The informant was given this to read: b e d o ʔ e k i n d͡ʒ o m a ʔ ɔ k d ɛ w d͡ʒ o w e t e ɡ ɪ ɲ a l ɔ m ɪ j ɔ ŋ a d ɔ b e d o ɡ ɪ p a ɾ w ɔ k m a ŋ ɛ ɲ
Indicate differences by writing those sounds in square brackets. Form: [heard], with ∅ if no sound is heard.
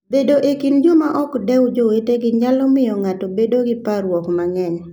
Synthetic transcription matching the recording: b e d o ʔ e k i n d͡ʒ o m a ʔ ɔ k d ɛ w d͡ʒ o w e t e ɡ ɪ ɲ a l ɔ m ɪ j ɔ ŋ a [t] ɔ b e d o ɡ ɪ p a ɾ w ɔ k m a ŋ ɛ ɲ